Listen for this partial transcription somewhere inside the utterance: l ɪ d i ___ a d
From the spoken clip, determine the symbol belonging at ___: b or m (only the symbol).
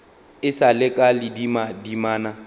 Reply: m